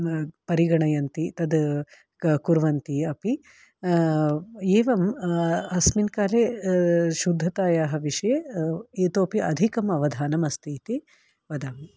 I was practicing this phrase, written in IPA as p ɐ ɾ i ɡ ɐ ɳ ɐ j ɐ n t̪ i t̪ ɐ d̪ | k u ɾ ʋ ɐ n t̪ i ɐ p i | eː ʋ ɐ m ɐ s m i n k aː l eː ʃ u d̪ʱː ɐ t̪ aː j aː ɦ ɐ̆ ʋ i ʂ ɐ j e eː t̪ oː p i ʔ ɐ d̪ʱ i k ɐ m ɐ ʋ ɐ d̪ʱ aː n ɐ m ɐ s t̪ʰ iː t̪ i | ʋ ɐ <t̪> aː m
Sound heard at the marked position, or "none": d̪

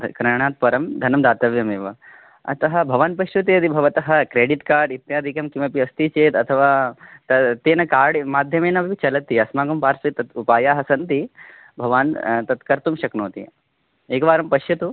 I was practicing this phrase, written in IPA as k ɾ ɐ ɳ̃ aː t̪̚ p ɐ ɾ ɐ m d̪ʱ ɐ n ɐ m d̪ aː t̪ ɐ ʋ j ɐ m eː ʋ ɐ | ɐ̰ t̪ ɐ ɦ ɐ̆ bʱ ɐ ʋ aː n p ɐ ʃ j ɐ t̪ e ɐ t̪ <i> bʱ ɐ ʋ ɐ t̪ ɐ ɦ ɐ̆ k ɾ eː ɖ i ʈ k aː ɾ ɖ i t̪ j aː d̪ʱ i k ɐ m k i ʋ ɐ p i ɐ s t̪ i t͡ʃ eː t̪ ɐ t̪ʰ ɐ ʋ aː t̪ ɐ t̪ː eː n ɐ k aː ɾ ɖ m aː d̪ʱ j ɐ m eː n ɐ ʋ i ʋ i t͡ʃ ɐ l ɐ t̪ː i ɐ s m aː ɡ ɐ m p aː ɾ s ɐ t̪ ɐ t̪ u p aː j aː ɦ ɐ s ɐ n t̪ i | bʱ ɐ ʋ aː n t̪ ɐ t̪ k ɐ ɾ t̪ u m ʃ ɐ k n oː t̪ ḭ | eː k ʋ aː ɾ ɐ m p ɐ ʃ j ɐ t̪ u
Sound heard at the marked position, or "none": i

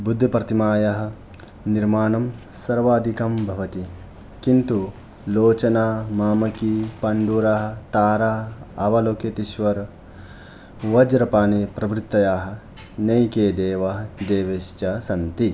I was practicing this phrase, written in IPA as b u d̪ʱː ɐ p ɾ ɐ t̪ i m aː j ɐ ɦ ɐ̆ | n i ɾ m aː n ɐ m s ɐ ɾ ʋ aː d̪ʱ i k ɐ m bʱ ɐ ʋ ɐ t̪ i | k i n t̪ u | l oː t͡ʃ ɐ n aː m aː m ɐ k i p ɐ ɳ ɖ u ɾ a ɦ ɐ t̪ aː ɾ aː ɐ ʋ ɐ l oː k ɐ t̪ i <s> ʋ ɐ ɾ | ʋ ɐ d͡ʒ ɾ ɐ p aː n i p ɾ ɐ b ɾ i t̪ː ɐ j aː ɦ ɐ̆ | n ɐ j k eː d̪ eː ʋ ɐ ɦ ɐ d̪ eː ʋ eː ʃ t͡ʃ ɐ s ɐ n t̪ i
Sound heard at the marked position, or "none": ʃ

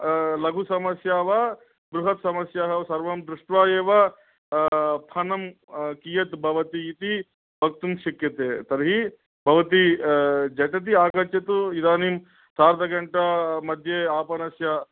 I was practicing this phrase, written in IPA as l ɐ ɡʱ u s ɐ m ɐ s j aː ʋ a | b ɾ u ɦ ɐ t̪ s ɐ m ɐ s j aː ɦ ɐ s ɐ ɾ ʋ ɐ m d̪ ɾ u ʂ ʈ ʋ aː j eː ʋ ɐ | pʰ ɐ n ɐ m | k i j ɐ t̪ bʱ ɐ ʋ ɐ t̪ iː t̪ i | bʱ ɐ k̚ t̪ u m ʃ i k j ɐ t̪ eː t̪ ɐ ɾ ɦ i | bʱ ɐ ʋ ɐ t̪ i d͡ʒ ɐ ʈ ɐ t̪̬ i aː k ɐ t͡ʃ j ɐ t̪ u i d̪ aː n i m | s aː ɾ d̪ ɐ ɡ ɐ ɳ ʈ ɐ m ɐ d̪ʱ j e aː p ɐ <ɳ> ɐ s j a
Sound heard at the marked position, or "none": n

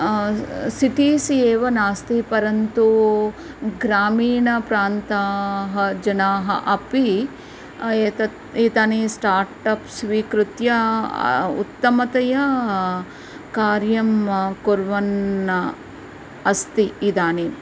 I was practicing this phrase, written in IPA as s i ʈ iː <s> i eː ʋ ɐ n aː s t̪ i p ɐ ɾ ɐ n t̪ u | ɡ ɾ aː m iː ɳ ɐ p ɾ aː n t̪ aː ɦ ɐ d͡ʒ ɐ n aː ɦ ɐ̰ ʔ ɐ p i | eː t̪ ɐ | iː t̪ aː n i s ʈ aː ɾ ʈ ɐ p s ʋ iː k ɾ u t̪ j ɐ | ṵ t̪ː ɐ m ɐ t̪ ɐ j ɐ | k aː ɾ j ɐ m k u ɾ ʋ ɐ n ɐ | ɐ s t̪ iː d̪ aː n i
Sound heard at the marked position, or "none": s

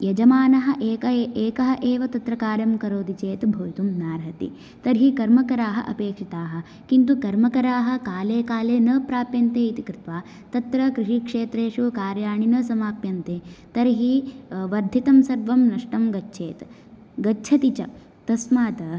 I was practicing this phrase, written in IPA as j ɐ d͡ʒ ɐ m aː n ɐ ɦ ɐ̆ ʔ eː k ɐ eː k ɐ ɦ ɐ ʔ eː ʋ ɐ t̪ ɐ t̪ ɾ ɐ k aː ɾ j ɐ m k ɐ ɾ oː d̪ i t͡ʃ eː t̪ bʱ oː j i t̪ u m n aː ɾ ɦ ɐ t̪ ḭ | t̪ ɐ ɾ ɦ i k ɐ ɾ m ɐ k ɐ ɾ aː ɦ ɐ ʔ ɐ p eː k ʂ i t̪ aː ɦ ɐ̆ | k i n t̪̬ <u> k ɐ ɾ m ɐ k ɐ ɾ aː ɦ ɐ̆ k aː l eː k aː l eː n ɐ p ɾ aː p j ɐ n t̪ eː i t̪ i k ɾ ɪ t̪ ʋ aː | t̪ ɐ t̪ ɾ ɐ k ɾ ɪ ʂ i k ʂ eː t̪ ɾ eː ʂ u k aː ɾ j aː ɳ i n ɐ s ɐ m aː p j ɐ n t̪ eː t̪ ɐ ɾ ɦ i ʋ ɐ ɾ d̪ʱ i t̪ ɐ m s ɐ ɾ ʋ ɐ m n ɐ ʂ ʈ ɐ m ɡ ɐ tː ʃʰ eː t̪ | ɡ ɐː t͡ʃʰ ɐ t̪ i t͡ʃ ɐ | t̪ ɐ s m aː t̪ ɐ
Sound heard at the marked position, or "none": u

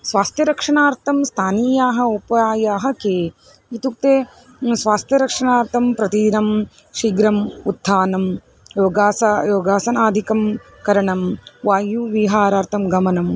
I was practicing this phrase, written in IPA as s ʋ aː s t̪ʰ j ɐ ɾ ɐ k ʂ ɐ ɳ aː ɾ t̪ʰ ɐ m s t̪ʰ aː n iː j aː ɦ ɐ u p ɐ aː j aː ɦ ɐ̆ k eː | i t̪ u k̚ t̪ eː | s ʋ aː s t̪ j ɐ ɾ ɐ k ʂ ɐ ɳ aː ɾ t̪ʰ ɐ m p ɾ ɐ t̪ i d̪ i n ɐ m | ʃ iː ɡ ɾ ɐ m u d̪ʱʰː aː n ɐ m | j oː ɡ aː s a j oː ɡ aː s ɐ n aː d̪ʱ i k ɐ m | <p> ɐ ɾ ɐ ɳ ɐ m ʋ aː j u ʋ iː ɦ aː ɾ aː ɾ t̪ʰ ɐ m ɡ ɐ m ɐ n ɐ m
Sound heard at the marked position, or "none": k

